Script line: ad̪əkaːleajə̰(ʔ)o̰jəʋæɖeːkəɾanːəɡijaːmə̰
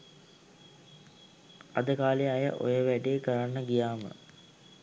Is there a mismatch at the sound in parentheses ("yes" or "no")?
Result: no